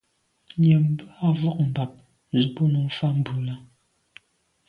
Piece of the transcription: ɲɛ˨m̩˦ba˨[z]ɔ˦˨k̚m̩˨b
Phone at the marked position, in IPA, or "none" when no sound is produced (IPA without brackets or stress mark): v